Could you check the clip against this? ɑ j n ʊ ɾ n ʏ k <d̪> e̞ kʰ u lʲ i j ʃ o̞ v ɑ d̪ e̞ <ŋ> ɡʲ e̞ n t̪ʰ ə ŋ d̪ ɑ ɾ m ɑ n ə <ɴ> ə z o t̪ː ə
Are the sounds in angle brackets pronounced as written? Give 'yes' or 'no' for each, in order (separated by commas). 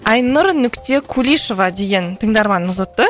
no, no, no